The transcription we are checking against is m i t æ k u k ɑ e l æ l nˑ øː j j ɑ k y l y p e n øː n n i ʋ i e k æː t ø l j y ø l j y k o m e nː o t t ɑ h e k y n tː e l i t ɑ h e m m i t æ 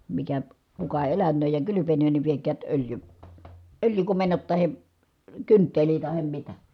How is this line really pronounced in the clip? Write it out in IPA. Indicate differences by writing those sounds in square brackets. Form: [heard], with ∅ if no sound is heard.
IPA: m i [k] æ k u k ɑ e l æ [∅] nˑ øː j j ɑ k y l y p e n øː n n i ʋ i e k æː t ø l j y ø l j y k o m e nː o t t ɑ h e k y n tː e l i t ɑ h e m m i t æ